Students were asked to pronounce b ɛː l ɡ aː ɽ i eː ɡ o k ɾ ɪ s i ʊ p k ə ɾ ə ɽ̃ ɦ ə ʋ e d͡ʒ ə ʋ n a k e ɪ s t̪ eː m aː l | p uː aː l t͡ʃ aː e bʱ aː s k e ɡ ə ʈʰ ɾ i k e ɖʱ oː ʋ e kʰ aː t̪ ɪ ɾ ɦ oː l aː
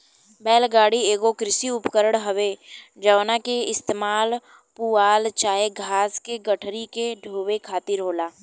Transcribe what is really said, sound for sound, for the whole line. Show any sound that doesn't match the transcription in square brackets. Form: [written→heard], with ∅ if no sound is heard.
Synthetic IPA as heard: b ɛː l ɡ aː ɽ i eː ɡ o k ɾ ɪ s i ʊ p k ə ɾ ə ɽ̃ ɦ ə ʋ e d͡ʒ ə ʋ n a k e ɪ s t̪ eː m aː l | p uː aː l t͡ʃ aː e [bʱ→ɡʱ] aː s k e ɡ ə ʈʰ ɾ i k e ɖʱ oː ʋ e kʰ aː t̪ ɪ ɾ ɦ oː l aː